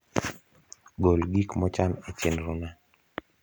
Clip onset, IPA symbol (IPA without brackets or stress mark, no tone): ɡ